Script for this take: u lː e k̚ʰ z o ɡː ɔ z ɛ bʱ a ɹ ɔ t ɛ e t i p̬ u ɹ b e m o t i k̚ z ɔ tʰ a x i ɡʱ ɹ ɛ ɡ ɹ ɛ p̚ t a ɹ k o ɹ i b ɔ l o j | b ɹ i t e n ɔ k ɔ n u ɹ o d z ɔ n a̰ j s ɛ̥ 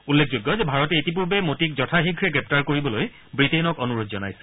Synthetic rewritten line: u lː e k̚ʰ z o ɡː ɔ z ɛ bʱ a ɹ ɔ t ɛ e t i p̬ u ɹ b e m o t i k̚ z ɔ tʰ a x i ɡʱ ɹ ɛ ɡ ɹ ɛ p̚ t a ɹ k o ɹ i b ɔ l o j | b ɹ i t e n ɔ k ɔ n u ɹ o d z ɔ n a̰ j s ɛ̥